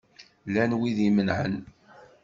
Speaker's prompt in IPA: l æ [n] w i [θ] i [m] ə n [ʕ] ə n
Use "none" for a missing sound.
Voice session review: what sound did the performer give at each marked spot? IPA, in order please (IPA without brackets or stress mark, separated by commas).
n, ð, m, ʕ